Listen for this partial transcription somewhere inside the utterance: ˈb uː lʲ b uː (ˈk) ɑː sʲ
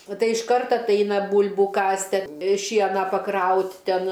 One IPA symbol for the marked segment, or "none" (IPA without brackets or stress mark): k